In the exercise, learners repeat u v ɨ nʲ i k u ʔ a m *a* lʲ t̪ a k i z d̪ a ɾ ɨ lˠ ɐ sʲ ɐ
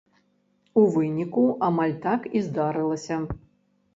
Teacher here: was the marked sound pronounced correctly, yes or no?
yes